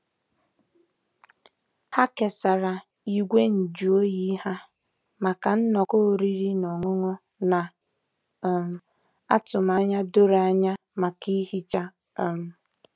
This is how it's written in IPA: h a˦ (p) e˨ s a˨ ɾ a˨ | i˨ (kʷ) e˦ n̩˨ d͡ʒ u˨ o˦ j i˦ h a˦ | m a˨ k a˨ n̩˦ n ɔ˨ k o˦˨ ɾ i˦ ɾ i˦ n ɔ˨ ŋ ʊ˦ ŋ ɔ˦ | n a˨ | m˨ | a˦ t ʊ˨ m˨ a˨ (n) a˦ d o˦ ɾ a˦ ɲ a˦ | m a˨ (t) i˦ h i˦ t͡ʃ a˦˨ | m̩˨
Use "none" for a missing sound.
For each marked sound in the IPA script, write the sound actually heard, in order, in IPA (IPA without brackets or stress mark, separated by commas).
k, ɡʷ, ɲ, k